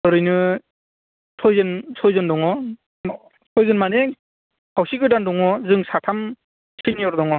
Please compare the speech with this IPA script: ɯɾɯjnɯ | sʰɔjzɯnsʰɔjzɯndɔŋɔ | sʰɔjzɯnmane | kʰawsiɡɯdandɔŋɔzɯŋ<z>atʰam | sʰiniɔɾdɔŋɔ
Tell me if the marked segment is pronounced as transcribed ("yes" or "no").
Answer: no